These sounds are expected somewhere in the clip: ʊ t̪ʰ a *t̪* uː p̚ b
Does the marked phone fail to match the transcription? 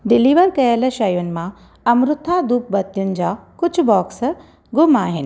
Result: yes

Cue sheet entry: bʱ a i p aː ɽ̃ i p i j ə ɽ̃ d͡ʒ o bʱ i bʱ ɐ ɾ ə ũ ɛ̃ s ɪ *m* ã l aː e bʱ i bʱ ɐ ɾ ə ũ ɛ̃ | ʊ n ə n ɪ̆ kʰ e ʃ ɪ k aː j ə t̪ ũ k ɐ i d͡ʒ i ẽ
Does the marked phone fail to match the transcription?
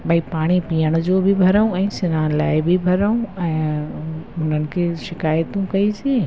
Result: yes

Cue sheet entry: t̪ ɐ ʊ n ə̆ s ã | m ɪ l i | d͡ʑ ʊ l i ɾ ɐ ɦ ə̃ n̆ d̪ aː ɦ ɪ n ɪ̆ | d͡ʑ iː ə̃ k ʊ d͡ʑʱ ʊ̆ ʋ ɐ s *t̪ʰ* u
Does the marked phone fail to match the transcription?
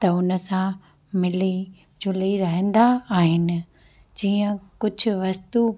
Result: yes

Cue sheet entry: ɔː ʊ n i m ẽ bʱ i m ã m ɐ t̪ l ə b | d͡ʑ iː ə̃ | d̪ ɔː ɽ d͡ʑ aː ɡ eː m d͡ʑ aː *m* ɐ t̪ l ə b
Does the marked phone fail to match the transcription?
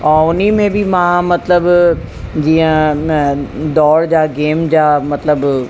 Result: no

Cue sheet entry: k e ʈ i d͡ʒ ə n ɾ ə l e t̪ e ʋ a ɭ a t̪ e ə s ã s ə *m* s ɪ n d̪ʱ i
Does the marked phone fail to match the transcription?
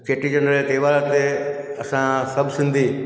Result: yes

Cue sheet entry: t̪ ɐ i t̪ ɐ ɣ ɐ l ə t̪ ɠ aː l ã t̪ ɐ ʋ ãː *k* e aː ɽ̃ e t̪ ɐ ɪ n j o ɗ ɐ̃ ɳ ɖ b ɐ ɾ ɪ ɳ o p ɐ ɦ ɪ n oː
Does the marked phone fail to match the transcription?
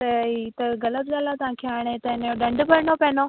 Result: yes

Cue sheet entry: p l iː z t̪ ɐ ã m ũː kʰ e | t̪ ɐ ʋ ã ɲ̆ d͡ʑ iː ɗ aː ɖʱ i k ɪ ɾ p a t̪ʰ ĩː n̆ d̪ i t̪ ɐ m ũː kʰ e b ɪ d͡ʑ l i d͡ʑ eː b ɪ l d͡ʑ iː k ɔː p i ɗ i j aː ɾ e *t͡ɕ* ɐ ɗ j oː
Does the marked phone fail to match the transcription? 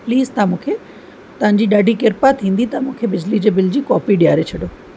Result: yes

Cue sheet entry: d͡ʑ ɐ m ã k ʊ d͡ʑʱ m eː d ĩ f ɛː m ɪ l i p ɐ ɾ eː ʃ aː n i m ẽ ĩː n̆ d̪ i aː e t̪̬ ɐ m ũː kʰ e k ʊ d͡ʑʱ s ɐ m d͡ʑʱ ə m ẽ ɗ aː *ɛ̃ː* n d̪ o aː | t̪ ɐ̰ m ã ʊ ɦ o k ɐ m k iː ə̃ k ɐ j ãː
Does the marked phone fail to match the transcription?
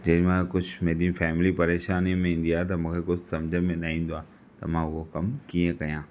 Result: yes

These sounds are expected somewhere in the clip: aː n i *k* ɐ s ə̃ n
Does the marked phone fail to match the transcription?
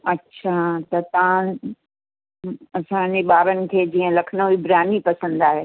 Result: yes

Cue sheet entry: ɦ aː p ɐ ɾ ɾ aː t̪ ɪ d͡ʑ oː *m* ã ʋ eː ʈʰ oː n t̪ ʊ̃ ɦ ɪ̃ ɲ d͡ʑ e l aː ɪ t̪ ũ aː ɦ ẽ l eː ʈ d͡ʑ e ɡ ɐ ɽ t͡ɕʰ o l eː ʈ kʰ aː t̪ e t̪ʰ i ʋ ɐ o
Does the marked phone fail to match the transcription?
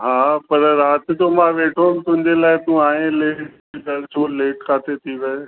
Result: no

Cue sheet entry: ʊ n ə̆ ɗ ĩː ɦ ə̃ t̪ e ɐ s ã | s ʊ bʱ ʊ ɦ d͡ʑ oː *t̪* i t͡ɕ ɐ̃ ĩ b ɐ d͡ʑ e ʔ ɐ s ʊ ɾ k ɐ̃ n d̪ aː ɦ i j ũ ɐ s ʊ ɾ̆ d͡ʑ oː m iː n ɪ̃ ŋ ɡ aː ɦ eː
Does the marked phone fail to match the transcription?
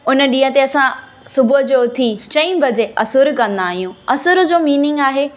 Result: yes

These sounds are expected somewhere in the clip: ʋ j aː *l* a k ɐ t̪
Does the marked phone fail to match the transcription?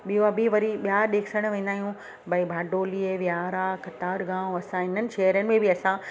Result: yes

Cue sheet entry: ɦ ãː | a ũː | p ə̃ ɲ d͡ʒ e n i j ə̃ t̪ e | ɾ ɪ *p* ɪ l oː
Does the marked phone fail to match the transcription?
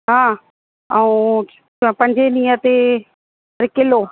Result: yes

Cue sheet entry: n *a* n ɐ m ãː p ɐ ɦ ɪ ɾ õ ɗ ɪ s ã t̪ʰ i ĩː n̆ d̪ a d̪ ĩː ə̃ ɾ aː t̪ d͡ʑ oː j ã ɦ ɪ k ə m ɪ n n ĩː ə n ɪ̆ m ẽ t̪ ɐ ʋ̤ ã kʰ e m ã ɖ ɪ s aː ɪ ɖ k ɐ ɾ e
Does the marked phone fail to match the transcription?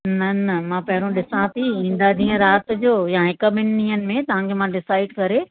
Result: yes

